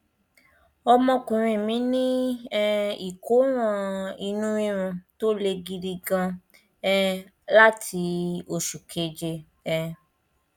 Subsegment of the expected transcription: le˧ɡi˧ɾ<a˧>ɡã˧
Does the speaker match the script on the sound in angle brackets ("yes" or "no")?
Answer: no